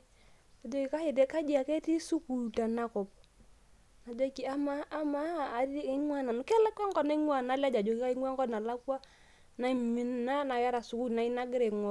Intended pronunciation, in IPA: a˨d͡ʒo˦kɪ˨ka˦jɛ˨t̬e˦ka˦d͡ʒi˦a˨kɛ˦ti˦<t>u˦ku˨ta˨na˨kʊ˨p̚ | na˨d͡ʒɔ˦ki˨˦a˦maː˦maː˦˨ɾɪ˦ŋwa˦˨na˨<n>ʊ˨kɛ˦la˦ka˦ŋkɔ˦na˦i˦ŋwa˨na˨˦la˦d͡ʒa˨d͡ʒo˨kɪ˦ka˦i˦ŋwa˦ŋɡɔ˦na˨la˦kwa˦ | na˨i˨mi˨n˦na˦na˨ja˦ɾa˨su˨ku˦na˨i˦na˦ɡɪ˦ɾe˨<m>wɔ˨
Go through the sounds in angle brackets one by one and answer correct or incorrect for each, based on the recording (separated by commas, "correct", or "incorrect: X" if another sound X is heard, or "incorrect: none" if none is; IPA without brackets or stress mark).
incorrect: s, correct, incorrect: ŋ